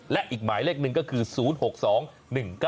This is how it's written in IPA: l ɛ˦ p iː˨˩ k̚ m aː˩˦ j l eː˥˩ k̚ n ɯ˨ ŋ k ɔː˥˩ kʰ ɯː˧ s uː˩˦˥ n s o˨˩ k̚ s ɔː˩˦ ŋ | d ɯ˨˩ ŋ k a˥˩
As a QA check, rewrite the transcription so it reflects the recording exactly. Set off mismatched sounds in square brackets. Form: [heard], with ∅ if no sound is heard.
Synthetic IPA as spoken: l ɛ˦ [ʔ] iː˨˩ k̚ m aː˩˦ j l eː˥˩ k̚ n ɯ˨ ŋ k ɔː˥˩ kʰ ɯː˧ s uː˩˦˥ n [h] o˨˩ k̚ s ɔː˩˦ ŋ | [n] ɯ˨˩ ŋ k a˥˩